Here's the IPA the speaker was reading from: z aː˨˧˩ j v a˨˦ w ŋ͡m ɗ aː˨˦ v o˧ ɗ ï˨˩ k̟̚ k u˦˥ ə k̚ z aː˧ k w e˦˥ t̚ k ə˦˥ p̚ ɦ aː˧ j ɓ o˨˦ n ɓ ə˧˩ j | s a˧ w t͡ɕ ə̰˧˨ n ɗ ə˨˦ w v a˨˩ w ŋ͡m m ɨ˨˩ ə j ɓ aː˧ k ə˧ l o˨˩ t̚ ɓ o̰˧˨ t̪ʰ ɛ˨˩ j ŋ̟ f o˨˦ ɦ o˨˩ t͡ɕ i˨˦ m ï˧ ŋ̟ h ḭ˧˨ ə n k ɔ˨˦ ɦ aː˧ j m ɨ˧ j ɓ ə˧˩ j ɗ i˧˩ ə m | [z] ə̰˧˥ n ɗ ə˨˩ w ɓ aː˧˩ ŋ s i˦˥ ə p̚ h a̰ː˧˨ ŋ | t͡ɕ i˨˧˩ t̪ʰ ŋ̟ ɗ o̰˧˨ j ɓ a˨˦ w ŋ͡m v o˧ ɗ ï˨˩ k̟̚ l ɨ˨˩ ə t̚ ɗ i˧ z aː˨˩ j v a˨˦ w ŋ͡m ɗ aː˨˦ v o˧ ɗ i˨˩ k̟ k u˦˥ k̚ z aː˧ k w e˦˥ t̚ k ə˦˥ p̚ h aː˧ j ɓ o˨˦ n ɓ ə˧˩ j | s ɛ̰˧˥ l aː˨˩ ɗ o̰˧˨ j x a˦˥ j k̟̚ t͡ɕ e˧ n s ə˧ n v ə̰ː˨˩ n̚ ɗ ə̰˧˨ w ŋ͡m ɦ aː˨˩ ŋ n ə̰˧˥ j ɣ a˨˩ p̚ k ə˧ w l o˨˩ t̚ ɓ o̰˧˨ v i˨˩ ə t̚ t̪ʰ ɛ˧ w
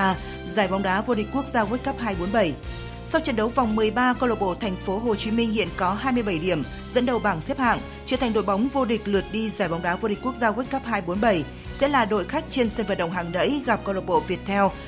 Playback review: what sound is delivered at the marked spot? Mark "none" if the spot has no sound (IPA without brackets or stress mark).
z